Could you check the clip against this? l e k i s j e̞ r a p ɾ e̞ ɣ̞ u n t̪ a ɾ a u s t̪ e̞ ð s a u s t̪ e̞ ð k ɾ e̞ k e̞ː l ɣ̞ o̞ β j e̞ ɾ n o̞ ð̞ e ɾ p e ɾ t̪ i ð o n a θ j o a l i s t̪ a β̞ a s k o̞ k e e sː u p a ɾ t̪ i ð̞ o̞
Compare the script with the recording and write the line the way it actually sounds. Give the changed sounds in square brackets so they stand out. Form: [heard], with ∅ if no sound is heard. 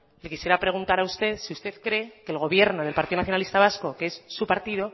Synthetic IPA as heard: l e k i s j e̞ [ɾ] a p ɾ e̞ ɣ̞ u n t̪ a ɾ a u s t̪ e̞ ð s [i] u s t̪ e̞ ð k ɾ e̞ k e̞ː l ɣ̞ o̞ β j e̞ ɾ n o̞ ð̞ e [l] p [a] ɾ t̪ i ð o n a θ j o a l i s t̪ a β̞ a s k o̞ k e e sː u p a ɾ t̪ i ð̞ o̞

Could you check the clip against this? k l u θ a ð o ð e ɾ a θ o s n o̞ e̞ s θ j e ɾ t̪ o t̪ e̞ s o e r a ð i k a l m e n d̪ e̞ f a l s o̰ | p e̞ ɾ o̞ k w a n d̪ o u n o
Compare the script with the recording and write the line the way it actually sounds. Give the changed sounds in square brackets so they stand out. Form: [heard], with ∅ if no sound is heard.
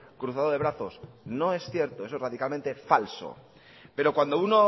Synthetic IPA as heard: k [ɾ] u θ a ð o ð e ɾ a θ o s n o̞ e̞ s θ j e ɾ t̪ o [∅] e̞ s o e r a ð i k a l m e n [t̪] e̞ f a l s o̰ | p e̞ ɾ o̞ k w a n d̪ o u n o

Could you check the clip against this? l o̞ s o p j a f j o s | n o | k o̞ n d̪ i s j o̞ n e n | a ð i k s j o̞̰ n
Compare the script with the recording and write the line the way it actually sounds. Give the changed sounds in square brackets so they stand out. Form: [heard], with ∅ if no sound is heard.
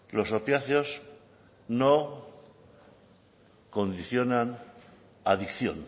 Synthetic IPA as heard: l o̞ s o p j a [θ] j o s | n o | k o̞ n d̪ i [θ] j o̞ n [a] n | a ð i k [θ] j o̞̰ n

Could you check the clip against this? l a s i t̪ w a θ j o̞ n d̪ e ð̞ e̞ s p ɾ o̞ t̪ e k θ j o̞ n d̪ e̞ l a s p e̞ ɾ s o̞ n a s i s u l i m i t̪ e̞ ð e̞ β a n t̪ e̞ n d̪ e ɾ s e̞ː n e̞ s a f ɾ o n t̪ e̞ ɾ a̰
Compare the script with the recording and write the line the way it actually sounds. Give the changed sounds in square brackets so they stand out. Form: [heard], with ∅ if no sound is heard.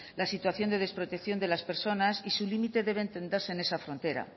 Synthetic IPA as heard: l a s i t̪ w a θ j o̞ n d̪ e ð̞ e̞ s p ɾ o̞ t̪ e k θ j o̞ n d̪ e̞ l a s p e̞ ɾ s o̞ n a s i s u l i m i t̪ e̞ ð e̞ β [e] n t̪ e̞ n d̪ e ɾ s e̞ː n e̞ s a f ɾ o n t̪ e̞ ɾ a̰

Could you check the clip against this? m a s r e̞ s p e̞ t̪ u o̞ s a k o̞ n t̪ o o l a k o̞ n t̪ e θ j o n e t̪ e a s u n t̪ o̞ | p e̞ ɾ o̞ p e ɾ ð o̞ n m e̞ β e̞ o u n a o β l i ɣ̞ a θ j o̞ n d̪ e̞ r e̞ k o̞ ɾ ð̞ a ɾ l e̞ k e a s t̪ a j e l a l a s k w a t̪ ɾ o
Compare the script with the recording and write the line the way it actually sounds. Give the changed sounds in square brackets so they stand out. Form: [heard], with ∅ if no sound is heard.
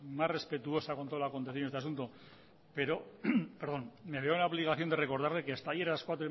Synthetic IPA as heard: m a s r e̞ s p e̞ t̪ u o̞ s a k o̞ n t̪ o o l a k o̞ n t̪ e θ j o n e t̪ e a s u n t̪ o̞ | p e̞ ɾ o̞ p e ɾ ð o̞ n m e̞ β e̞ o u n a o β l i ɣ̞ a θ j o̞ n d̪ e̞ r e̞ k o̞ ɾ ð̞ a ɾ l e̞ k e a s t̪ a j e [ɾ] a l a s k w a t̪ ɾ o

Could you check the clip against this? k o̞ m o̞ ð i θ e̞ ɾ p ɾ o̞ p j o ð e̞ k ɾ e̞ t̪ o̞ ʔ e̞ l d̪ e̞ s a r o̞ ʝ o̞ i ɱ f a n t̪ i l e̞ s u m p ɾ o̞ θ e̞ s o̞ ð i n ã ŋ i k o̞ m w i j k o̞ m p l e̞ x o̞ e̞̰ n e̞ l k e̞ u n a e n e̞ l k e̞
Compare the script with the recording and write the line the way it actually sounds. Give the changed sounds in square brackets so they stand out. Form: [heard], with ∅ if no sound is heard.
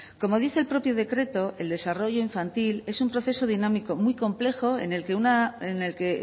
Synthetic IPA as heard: k o̞ m o̞ ð i θ e̞ [l] p ɾ o̞ p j o ð e̞ k ɾ e̞ t̪ o̞ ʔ e̞ l d̪ e̞ s a r o̞ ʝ o̞ i ɱ f a n t̪ i l e̞ s u m p ɾ o̞ θ e̞ s o̞ ð i n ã [m] i k o̞ m w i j k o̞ m p l e̞ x o̞ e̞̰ n e̞ l k e̞ u n a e n e̞ l k e̞

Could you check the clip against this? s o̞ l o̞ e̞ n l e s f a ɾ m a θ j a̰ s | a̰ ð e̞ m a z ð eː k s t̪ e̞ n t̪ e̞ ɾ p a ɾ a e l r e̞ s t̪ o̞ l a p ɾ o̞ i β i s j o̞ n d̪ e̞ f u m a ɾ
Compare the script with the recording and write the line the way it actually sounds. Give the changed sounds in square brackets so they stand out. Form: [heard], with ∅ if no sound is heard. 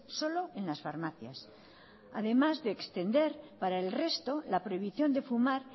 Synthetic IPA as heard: s o̞ l o̞ e̞ n l [a] s f a ɾ m a θ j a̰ s | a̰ ð e̞ m a z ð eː k s t̪ e̞ n [d̪] e̞ ɾ p a ɾ a e l r e̞ s t̪ o̞ l a p ɾ o̞ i β i [θ] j o̞ n d̪ e̞ f u m a ɾ

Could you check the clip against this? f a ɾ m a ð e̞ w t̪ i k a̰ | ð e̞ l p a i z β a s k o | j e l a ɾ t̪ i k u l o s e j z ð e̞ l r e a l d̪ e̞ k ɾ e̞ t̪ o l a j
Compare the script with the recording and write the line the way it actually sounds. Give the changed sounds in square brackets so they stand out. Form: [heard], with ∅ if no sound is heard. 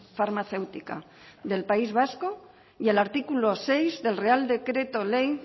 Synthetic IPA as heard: f a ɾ m a [θ] e̞ w t̪ i k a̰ | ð e̞ l p a i z β a s k o | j e l a ɾ t̪ i k u l o s e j z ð e̞ l r e a l d̪ e̞ k ɾ e̞ t̪ o l [e] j

